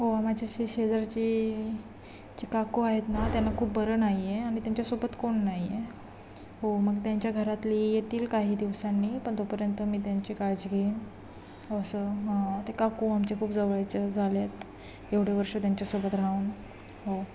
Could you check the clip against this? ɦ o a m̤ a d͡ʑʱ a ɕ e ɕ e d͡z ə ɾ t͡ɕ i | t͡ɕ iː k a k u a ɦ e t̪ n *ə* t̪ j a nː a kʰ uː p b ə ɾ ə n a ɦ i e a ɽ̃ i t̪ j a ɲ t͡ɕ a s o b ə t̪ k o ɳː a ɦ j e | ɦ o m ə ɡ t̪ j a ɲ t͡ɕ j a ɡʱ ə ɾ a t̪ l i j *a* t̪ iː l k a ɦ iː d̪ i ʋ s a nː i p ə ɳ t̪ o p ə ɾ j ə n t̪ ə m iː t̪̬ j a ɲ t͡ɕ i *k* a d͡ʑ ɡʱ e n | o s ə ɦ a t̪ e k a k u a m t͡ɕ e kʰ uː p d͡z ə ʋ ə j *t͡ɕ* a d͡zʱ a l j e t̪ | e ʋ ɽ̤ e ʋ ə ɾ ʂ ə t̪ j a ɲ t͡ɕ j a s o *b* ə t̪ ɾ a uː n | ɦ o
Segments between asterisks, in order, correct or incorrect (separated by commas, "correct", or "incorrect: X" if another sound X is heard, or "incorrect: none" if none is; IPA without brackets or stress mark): incorrect: a, incorrect: e, correct, correct, correct